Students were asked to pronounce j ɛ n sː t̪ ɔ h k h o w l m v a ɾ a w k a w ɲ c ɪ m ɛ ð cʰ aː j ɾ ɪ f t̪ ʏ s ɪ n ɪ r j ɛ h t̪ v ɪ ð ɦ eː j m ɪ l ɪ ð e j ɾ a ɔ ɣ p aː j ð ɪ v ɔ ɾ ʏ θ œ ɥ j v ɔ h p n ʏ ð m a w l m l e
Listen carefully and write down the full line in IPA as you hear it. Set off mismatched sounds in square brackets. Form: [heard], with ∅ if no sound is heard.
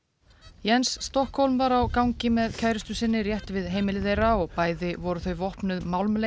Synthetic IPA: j ɛ n sː t̪ ɔ h k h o w l m v a ɾ a w k a w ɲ c ɪ m ɛ ð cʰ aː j ɾ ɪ [s] t̪ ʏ s ɪ [nː] ɪ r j ɛ h t̪ v ɪ ð ɦ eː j m ɪ l ɪ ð e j ɾ a ɔ ɣ p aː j ð ɪ v ɔ ɾ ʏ θ œ ɥ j v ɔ h p n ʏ ð m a w l m l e